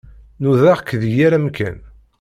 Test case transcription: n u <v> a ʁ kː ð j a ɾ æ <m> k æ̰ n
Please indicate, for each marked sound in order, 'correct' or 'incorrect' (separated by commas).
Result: incorrect, correct